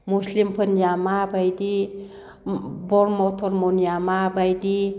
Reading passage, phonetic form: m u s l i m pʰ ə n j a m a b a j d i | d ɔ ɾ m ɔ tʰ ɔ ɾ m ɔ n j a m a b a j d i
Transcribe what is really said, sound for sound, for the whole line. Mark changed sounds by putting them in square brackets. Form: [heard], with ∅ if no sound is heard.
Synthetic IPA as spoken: m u s l i m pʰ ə n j a m a b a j d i | [b] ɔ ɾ m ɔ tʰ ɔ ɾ m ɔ n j a m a b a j d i